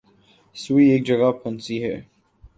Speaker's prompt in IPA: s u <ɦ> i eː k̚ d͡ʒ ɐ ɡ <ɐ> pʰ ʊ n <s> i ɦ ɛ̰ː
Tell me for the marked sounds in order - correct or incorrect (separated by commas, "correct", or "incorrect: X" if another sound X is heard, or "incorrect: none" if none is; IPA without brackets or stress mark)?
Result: incorrect: none, incorrect: a, correct